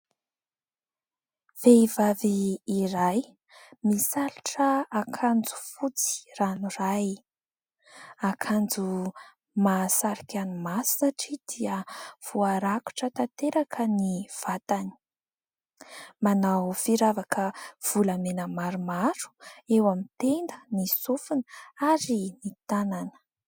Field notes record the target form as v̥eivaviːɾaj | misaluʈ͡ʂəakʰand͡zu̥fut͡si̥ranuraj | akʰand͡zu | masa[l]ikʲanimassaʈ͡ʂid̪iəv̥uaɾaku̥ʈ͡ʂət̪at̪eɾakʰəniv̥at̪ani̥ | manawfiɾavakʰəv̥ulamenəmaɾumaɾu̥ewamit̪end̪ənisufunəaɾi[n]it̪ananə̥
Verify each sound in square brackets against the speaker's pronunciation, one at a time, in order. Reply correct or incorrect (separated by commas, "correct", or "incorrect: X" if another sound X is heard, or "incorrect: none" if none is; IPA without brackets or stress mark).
incorrect: ɾ, correct